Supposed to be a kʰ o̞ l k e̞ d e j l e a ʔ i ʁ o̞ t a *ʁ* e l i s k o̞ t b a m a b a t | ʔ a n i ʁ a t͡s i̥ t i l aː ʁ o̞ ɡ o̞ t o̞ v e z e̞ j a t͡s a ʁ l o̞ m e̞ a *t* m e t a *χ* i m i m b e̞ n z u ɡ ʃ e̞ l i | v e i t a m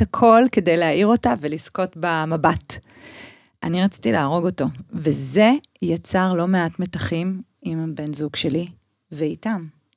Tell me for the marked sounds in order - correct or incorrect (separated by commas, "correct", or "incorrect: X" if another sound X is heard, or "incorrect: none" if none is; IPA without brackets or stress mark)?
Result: incorrect: v, correct, correct